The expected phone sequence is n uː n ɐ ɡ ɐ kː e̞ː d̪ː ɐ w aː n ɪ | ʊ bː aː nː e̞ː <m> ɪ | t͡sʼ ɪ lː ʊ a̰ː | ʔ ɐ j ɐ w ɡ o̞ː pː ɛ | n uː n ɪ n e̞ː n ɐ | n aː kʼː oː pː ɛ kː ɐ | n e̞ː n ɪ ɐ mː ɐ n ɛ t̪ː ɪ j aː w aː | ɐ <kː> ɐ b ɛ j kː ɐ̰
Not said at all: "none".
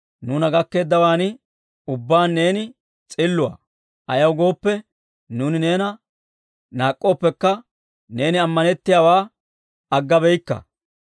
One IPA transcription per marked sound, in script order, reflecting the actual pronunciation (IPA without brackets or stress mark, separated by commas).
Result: n, ɡː